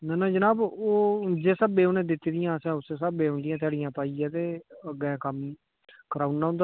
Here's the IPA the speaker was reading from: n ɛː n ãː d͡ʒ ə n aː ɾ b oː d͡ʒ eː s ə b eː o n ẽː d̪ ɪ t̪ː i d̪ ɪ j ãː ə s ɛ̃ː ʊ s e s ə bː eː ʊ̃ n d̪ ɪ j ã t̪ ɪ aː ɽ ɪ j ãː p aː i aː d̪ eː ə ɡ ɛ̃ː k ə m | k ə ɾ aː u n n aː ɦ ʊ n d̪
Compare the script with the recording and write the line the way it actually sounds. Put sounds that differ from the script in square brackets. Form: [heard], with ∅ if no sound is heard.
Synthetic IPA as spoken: n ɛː n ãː d͡ʒ ə n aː [∅] b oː d͡ʒ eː s ə b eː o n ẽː d̪ ɪ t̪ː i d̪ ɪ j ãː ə s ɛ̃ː ʊ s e s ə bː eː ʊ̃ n d̪ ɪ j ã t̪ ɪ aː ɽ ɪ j ãː p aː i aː [t̪] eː ə ɡ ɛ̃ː k ə m | k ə ɾ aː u n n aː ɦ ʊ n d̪